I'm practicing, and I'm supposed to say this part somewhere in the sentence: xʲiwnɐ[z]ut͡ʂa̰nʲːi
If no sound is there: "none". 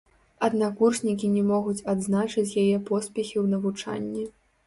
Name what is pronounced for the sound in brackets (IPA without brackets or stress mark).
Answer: v